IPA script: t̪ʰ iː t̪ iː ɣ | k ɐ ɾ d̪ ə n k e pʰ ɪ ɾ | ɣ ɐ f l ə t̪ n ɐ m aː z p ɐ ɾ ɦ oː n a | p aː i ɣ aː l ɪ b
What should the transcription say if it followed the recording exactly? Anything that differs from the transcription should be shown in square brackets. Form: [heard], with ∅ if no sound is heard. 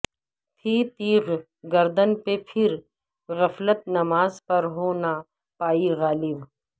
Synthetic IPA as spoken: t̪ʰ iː t̪ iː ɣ | [ɡ] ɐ ɾ d̪ ə n [p] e pʰ ɪ ɾ | ɣ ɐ f l ə t̪ n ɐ m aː z p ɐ ɾ ɦ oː n a | p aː i ɣ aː l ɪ b

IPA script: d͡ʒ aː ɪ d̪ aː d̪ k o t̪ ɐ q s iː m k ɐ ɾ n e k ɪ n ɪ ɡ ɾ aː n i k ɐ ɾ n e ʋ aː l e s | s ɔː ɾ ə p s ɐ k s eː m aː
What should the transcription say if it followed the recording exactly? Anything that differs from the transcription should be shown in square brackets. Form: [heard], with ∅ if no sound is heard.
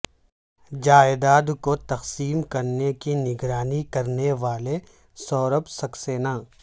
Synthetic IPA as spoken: d͡ʒ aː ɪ d̪ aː d̪ k o t̪ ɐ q s iː m k ɐ ɾ n e k [i] n ɪ ɡ ɾ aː n i k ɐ ɾ n e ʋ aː l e [∅] | s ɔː ɾ ə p s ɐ k s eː [n] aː

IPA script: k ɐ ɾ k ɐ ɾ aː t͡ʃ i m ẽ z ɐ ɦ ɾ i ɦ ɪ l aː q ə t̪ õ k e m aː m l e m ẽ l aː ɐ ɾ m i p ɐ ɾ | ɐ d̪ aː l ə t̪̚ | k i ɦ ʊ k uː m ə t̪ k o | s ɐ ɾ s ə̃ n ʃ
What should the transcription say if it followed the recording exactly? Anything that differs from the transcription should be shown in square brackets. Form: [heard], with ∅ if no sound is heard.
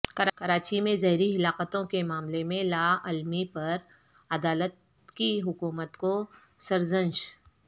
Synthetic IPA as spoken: k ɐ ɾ k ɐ ɾ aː t͡ʃ i m ẽ z ɐ ɦ ɾ i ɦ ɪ l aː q ə t̪ õ k e m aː m l e m ẽ l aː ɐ [l] m i p ɐ ɾ | ɐ d̪ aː l ə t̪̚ | k i ɦ ʊ k uː m ə t̪ k o | s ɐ ɾ [z] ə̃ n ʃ

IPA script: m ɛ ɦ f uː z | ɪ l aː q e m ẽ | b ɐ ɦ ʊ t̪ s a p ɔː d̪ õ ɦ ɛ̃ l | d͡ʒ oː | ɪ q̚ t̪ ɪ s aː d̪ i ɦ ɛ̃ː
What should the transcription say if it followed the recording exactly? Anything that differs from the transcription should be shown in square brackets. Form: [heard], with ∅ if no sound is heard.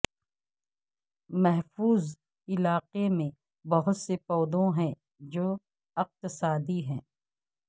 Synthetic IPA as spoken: m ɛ ɦ f uː z | ɪ l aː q e m ẽ | b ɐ ɦ ʊ t̪ s [e] p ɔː d̪ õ ɦ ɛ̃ [∅] | d͡ʒ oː | ɪ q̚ t̪ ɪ s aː d̪ i ɦ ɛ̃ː

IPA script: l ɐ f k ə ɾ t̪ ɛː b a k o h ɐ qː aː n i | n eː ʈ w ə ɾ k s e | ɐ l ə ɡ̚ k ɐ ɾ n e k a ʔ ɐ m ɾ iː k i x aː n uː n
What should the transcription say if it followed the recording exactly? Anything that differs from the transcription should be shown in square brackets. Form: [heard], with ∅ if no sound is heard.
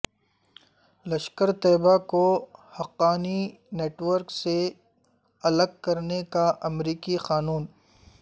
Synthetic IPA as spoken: l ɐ [ʃ] k ə ɾ t̪ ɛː b a k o h ɐ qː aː n i | n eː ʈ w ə ɾ k s e | ɐ l ə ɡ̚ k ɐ ɾ n e k a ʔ ɐ m ɾ iː k i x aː n uː n

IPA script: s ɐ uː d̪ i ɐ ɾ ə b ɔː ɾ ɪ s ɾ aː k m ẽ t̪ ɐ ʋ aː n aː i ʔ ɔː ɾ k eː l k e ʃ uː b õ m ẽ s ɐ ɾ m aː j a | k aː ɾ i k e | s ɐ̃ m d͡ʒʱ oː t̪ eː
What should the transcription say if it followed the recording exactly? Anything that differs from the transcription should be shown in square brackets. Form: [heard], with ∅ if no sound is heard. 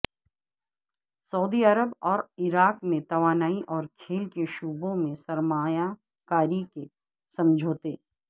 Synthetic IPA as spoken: s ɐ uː d̪ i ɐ ɾ ə b ɔː ɾ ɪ [∅] ɾ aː k m ẽ t̪ ɐ ʋ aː n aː i ʔ ɔː ɾ [kʰ] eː l k e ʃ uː b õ m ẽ s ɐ ɾ m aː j a | k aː ɾ i k e | s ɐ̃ m d͡ʒʱ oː t̪ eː

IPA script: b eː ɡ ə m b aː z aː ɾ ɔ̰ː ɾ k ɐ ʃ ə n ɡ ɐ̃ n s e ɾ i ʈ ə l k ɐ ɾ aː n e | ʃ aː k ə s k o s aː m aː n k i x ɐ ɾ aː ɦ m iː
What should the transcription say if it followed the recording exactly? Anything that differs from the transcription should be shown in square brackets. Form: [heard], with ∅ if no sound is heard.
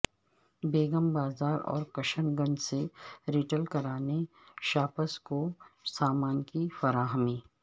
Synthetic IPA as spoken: b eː ɡ ə m b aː z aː ɾ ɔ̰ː ɾ k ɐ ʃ ə n ɡ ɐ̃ n s e ɾ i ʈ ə l k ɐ ɾ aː n e | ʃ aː [p] ə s k o s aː m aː n k i [f] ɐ ɾ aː ɦ m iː

